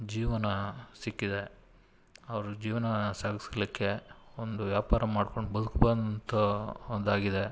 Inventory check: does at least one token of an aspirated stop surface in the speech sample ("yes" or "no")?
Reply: no